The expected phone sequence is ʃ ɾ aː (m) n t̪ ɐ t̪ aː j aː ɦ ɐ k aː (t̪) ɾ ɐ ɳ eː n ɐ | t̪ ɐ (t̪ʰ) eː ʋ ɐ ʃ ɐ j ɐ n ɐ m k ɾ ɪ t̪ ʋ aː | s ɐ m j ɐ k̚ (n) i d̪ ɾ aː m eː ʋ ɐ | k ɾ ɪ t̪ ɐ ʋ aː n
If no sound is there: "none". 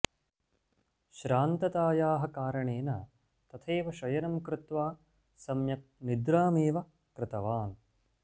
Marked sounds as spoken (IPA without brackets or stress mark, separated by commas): none, none, t̪ʰ, n